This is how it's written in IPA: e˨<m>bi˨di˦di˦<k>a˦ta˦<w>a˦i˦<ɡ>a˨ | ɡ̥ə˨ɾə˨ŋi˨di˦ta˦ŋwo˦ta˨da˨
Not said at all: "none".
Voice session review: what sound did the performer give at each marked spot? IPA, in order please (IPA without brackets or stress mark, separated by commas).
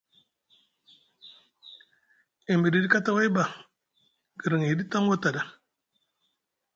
m, k, w, b